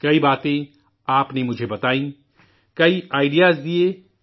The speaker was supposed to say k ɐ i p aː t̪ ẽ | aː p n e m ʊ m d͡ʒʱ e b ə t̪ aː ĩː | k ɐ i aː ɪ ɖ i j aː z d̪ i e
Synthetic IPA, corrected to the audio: k ɐ i b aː t̪ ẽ | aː p n e m ʊ d͡ʒʱ e b ɐ t̪ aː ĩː | k ɐ i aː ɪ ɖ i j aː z d̪ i e